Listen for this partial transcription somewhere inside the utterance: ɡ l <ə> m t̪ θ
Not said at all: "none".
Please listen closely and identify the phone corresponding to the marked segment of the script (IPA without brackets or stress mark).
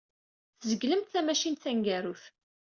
ə